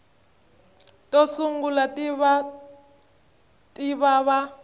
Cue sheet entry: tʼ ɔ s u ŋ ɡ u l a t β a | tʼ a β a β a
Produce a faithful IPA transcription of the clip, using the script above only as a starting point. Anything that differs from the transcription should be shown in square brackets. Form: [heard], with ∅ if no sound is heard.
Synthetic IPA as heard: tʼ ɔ s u ŋ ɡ u l a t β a | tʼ [i] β a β a